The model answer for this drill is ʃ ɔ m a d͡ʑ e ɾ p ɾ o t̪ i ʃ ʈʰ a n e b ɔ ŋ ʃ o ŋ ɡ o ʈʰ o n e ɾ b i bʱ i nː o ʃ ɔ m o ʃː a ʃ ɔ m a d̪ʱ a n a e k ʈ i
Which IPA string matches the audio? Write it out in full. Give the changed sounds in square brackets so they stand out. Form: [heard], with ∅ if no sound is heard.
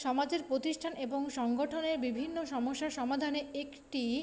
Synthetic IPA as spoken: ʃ ɔ m a d͡ʑ e ɾ p ɾ o t̪ i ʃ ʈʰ a n e b [o] ŋ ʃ [ɔ] ŋ ɡ o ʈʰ o n e ɾ b i bʱ i nː o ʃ ɔ m o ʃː a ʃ ɔ m a d̪ʱ a n [e] e k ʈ i